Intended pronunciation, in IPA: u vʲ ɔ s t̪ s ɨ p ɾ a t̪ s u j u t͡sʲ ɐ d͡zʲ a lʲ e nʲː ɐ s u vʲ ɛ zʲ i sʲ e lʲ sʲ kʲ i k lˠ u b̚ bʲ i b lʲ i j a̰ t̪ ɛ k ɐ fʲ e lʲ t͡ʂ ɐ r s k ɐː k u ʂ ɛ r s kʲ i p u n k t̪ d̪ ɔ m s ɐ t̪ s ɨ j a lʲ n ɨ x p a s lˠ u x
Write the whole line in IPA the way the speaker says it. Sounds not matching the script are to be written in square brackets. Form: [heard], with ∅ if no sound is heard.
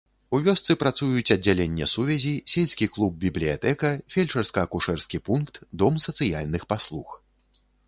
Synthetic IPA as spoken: u vʲ ɔ s t̪ s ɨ p ɾ a t̪ s u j u t͡sʲ ɐ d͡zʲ a lʲ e nʲː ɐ s u vʲ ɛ zʲ i sʲ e lʲ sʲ kʲ i k lˠ u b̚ bʲ i b lʲ i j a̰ t̪ ɛ k ɐ fʲ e lʲ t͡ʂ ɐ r s k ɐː k u ʂ ɛ r s kʲ i p u n k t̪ d̪ ɔ m s ɐ t̪ s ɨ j a lʲ n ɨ x p a s lˠ u x

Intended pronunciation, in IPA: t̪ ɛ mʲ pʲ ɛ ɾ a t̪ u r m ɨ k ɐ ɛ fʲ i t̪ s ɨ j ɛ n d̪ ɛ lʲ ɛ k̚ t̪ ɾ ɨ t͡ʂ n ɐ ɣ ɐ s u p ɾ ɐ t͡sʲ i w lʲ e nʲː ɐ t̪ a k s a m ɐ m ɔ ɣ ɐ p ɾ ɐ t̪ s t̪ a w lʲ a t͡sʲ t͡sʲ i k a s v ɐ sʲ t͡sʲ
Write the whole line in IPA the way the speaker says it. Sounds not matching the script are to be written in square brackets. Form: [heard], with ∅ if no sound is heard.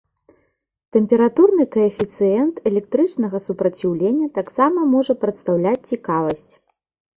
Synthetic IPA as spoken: t̪ ɛ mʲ pʲ ɛ ɾ a t̪ u r [n] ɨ k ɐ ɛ fʲ i t̪ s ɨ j ɛ n [t̪] ɛ lʲ ɛ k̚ t̪ ɾ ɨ t͡ʂ n ɐ ɣ ɐ s u p ɾ ɐ t͡sʲ i w lʲ e nʲː ɐ t̪ a k s a m ɐ m ɔ [ʐ] ɐ p ɾ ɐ t̪ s t̪ a w lʲ a t͡sʲ t͡sʲ i k a [∅] v ɐ sʲ t͡sʲ

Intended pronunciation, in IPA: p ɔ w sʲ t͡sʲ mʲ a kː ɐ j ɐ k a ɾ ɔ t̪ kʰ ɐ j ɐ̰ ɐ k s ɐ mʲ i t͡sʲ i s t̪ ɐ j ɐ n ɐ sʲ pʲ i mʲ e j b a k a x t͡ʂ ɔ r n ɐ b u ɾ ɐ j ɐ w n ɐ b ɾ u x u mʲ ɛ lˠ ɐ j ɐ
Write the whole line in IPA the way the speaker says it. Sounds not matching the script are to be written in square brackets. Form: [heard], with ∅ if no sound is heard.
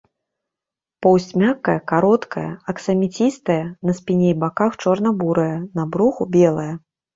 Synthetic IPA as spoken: p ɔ w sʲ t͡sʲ mʲ a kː ɐ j ɐ k a ɾ ɔ t̪ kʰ ɐ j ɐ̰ ɐ k s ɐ mʲ i t͡sʲ i s t̪ ɐ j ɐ n ɐ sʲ pʲ i [nʲ] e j b a k a x t͡ʂ ɔ r n ɐ b u ɾ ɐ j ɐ [∅] n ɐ b ɾ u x u [bʲ] ɛ lˠ ɐ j ɐ

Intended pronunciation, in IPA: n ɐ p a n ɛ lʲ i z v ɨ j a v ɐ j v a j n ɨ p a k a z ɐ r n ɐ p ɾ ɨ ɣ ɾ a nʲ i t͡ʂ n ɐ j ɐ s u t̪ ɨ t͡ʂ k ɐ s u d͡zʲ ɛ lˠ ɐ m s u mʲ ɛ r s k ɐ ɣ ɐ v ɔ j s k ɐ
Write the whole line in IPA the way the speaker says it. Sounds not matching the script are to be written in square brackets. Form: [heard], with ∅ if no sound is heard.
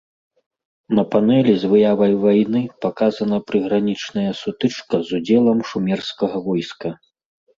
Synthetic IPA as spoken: n ɐ p a n ɛ lʲ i z v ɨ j a v ɐ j v a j n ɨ p a k a z ɐ [∅] n ɐ p ɾ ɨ ɣ ɾ a nʲ i t͡ʂ n ɐ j ɐ s u t̪ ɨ t͡ʂ k ɐ [z] u d͡zʲ ɛ lˠ ɐ m [ʂ] u mʲ ɛ r s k ɐ ɣ ɐ v ɔ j s k ɐ

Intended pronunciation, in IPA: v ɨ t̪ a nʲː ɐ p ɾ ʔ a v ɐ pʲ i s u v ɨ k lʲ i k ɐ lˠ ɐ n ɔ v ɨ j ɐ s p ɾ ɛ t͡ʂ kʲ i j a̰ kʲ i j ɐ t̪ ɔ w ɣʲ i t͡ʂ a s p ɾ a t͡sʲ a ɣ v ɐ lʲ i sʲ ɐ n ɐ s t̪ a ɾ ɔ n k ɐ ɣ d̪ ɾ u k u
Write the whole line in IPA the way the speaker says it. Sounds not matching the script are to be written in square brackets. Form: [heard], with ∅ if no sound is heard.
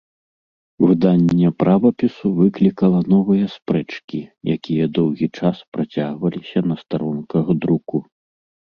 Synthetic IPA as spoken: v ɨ [d̪] a nʲː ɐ p ɾ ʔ a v ɐ pʲ i s u v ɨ k lʲ i k ɐ lˠ ɐ n ɔ v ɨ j ɐ s p ɾ ɛ t͡ʂ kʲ i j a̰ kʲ i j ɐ [d̪] ɔ w ɣʲ i t͡ʂ a s p ɾ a t͡sʲ a ɣ v ɐ lʲ i sʲ ɐ n ɐ s t̪ a ɾ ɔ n k ɐ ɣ d̪ ɾ u k u

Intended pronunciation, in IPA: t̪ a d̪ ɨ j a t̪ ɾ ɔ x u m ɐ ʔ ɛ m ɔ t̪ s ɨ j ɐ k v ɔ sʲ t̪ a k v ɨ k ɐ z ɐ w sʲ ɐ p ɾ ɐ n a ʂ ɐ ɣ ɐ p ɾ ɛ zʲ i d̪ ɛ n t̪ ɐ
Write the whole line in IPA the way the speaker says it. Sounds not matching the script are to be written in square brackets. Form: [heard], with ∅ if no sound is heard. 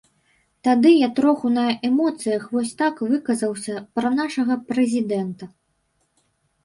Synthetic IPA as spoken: t̪ a d̪ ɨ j a t̪ ɾ ɔ x u [n] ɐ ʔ ɛ m ɔ t̪ s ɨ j ɐ [x] v ɔ sʲ t̪ a k v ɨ k ɐ z ɐ w sʲ ɐ p ɾ ɐ n a ʂ ɐ ɣ ɐ p ɾ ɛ zʲ i d̪ ɛ n t̪ ɐ

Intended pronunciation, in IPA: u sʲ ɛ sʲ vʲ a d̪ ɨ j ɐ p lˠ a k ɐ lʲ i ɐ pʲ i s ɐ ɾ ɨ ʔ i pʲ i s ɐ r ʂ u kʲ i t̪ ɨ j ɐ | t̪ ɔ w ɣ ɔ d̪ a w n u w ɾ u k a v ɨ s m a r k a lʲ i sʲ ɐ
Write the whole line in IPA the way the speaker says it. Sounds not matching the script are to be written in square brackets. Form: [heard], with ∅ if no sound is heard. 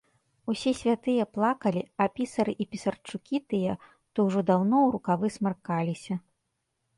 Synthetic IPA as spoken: u sʲ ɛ sʲ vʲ a [t̪] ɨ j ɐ p lˠ a k ɐ lʲ i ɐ pʲ i s ɐ ɾ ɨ ʔ i pʲ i s ɐ r [t͡ʂ] u kʲ i t̪ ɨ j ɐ | t̪ ɔ w [ʐ] ɔ d̪ a w n [ɔ] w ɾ u k a v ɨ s m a r k a lʲ i sʲ ɐ

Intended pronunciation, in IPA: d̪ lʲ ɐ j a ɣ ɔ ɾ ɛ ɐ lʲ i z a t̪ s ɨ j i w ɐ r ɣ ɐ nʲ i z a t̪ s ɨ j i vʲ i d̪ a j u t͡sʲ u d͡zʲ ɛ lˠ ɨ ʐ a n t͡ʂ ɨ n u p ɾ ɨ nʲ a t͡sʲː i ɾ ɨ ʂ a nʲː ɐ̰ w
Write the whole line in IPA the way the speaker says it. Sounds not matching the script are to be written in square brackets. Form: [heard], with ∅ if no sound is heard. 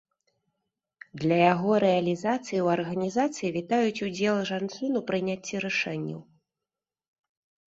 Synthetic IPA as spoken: d̪ lʲ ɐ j a ɣ ɔ ɾ ɛ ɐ lʲ i z a t̪ s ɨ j i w ɐ r ɣ ɐ nʲ i z a t̪ s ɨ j i vʲ i [t̪] a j u t͡sʲ u d͡zʲ ɛ lˠ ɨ ʐ a n t͡ʂ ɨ n u p ɾ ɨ nʲ a t͡sʲː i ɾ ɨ ʂ [ɛ] nʲː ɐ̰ w

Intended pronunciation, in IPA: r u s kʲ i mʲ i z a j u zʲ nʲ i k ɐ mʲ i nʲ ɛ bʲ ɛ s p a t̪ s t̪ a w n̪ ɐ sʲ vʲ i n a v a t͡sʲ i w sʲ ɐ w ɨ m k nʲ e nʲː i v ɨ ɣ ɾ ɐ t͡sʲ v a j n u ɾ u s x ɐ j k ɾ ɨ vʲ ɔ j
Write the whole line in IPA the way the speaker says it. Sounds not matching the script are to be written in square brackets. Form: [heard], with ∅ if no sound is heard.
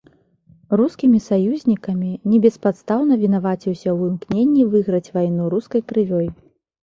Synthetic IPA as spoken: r u s kʲ i mʲ i [s] a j u zʲ nʲ i k ɐ mʲ i nʲ ɛ bʲ ɛ s p a t̪ s t̪ a w n̪ ɐ [∅] vʲ i n a v a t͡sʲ i w sʲ ɐ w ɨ m k nʲ e nʲː i v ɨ ɣ ɾ ɐ t͡sʲ v a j n u ɾ u s [k] ɐ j k ɾ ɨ vʲ ɔ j

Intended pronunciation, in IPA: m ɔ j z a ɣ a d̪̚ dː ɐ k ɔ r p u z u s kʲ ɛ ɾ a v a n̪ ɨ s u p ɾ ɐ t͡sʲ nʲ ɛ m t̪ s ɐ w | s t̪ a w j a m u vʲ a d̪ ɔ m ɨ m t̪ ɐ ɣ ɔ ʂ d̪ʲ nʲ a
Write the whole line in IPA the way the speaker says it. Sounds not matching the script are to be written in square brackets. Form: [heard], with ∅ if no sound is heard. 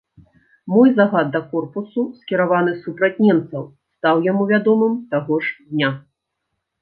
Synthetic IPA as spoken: m ɔ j z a ɣ a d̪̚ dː ɐ k ɔ r p u [s] u s kʲ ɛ ɾ a v a n̪ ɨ s u p ɾ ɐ t͡sʲ nʲ ɛ m t̪ s ɐ w | s t̪ a w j a m u vʲ a d̪ ɔ m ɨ m t̪ [a] ɣ ɔ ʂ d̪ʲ nʲ a

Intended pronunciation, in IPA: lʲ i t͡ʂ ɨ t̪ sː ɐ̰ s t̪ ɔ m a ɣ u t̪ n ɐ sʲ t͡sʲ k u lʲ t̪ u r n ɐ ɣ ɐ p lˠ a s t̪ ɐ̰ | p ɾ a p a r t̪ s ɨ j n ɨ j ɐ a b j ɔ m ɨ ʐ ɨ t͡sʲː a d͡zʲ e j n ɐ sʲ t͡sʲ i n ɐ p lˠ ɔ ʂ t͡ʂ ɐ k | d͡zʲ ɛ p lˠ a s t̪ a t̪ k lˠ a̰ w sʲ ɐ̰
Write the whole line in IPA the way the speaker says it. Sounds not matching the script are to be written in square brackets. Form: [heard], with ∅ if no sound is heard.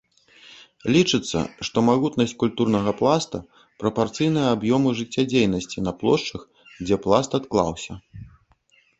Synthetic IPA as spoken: lʲ i t͡ʂ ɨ t̪ sː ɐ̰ [ʂ] t̪ ɔ m a ɣ u t̪ n ɐ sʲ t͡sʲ k u lʲ t̪ u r n ɐ ɣ ɐ p lˠ a s t̪ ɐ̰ | p ɾ [ɐ] p a r t̪ s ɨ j n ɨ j ɐ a b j ɔ m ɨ ʐ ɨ t͡sʲː a d͡zʲ e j n ɐ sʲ t͡sʲ i n ɐ p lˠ ɔ ʂ t͡ʂ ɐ [x] | d͡zʲ ɛ p lˠ a s t̪ a t̪ k lˠ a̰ w sʲ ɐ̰

